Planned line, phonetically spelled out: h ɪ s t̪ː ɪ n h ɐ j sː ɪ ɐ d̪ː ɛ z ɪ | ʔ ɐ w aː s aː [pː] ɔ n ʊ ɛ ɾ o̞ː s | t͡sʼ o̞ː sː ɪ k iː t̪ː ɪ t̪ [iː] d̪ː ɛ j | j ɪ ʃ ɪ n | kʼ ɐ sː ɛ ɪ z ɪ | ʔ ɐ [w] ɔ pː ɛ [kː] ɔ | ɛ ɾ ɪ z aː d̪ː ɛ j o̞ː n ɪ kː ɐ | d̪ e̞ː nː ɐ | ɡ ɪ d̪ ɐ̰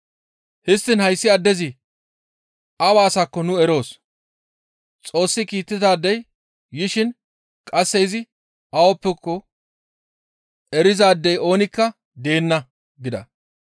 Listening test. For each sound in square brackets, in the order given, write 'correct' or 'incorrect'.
incorrect, incorrect, correct, correct

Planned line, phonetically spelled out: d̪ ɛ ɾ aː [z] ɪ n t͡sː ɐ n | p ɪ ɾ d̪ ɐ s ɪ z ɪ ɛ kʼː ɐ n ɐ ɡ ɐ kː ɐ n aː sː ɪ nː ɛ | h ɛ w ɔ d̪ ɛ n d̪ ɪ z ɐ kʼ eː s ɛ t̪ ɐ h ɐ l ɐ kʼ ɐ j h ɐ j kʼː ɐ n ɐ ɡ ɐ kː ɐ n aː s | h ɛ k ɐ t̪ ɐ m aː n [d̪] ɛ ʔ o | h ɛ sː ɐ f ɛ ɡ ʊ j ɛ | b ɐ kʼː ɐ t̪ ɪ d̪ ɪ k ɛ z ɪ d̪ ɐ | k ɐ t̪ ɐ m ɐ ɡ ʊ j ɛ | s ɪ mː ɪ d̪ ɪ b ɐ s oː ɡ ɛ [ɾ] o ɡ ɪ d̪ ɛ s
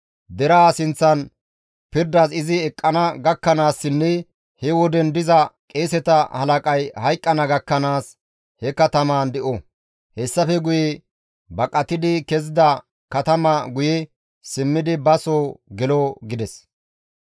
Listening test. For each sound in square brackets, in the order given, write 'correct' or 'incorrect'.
incorrect, correct, incorrect

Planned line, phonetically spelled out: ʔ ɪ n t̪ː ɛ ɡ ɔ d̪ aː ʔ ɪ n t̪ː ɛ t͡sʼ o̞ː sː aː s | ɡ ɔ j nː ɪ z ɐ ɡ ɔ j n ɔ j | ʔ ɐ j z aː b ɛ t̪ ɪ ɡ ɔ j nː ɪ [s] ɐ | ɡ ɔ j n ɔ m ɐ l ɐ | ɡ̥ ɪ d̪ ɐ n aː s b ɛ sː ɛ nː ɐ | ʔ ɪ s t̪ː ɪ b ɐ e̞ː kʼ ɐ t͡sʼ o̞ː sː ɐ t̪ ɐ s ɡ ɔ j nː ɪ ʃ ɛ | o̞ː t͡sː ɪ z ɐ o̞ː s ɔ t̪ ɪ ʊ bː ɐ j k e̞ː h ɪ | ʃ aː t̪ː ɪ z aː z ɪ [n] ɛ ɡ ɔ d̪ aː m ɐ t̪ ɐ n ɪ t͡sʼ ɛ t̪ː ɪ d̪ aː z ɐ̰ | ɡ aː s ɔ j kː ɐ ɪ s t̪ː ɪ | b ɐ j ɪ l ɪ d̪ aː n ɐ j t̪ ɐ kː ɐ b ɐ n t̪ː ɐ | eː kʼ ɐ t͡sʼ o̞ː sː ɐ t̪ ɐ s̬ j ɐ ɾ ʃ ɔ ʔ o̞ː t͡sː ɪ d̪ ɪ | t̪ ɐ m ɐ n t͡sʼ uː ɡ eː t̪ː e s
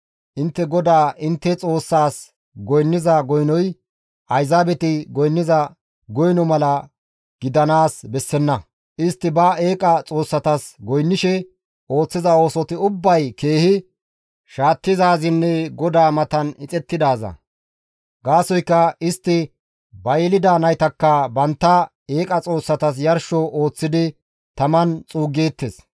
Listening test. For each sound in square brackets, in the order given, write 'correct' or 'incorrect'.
incorrect, incorrect

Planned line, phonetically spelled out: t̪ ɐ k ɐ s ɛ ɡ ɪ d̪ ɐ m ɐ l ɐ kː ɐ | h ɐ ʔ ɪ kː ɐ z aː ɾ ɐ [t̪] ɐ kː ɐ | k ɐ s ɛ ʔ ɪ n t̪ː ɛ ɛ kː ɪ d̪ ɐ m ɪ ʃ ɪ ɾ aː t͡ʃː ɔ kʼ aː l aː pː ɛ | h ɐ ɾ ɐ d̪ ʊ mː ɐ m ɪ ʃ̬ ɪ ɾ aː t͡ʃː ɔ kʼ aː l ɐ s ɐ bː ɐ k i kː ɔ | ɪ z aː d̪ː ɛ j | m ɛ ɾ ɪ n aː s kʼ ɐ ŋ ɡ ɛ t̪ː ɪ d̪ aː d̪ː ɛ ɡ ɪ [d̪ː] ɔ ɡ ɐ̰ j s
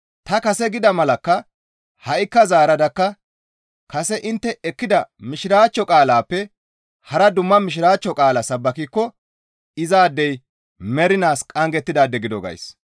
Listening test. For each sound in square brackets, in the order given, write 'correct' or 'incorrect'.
incorrect, incorrect

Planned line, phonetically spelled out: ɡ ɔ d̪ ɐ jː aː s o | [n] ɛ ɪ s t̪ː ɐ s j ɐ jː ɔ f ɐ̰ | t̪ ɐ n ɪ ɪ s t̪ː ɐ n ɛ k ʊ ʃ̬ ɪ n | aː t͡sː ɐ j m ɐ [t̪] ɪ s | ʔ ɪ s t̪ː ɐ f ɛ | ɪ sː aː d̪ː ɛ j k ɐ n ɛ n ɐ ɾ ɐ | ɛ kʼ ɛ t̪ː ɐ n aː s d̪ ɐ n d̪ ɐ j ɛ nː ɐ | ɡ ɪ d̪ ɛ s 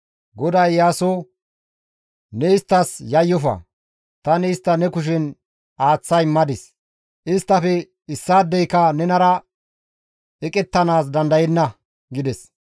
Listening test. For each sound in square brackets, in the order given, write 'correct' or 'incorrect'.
correct, incorrect

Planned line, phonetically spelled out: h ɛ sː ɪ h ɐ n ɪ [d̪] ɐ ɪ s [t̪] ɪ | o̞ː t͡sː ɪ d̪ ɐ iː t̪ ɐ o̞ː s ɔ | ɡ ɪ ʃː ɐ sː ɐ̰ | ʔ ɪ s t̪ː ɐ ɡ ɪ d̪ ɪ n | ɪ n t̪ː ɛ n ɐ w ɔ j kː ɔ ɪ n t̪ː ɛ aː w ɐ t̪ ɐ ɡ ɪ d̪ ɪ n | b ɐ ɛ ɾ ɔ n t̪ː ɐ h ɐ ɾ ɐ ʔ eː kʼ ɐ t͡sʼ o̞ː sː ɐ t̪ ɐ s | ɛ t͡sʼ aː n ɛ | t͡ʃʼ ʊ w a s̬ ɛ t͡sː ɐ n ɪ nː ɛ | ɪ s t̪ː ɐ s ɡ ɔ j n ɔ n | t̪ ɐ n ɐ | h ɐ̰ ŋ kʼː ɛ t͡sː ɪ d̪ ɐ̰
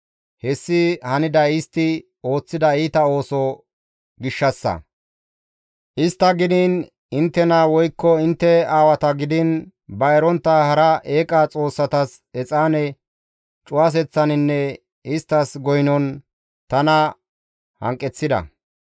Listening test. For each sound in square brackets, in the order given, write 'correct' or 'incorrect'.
correct, correct

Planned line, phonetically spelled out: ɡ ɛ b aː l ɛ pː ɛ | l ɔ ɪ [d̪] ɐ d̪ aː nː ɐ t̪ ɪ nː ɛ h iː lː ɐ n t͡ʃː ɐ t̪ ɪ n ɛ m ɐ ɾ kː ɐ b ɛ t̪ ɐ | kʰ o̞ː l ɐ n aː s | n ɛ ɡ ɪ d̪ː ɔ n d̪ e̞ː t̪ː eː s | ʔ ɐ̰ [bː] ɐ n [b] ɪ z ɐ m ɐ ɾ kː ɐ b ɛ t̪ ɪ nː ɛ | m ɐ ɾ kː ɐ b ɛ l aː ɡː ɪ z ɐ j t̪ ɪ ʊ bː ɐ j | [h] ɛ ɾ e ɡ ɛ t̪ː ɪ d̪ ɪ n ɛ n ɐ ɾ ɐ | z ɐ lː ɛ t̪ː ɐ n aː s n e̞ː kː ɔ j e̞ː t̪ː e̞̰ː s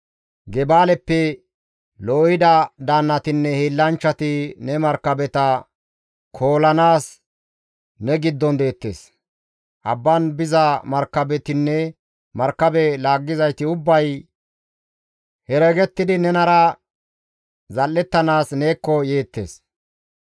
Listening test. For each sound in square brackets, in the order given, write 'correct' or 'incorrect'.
correct, correct, correct, correct

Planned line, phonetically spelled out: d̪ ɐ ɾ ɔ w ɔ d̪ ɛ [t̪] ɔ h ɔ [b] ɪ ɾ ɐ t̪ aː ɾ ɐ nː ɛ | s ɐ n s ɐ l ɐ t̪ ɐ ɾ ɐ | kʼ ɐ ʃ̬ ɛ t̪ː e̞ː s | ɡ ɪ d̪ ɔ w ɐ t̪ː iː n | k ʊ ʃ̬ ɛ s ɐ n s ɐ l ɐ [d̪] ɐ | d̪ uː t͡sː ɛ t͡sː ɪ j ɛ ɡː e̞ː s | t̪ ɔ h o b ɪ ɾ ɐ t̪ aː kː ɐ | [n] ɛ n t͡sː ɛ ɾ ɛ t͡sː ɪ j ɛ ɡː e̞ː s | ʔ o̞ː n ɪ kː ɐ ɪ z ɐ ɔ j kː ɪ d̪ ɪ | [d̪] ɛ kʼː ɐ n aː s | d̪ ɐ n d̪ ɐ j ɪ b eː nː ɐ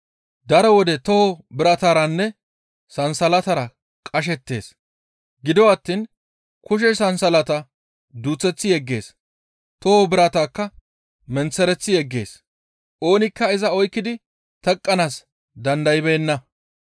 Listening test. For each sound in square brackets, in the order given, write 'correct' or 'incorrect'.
correct, correct, incorrect, incorrect, incorrect

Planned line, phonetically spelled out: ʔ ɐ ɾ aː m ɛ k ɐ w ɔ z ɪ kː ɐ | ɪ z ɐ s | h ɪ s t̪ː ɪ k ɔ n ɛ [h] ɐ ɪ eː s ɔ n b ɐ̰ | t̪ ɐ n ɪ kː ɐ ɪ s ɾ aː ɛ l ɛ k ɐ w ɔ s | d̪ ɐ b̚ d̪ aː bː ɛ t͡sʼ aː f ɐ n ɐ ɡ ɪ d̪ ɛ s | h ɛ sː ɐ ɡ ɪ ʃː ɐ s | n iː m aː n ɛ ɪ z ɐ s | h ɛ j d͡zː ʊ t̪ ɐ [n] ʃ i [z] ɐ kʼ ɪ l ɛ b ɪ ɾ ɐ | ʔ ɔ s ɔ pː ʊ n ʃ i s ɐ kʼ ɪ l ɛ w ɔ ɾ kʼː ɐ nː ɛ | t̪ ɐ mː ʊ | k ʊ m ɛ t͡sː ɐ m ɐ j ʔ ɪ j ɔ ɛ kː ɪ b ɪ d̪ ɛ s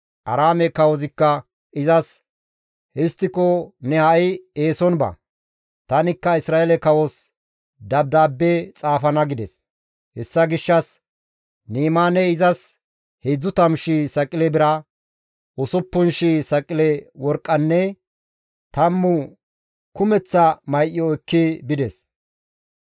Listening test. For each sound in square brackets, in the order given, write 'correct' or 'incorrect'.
correct, incorrect, incorrect

